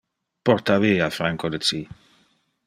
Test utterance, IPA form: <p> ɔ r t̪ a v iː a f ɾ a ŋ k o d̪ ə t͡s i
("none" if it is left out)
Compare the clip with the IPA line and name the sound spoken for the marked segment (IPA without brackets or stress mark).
p